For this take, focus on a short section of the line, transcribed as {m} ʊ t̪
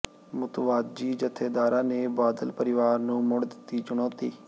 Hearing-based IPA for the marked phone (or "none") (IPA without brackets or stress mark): m